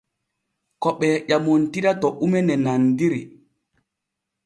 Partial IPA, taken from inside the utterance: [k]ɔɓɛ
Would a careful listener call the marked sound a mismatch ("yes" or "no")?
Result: no